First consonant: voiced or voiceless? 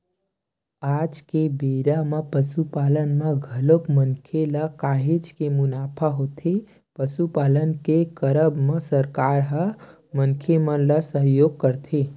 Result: voiced